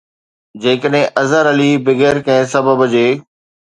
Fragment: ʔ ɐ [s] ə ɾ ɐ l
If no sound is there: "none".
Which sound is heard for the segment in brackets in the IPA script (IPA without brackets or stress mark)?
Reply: z